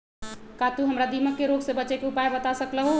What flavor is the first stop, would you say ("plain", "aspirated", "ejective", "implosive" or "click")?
plain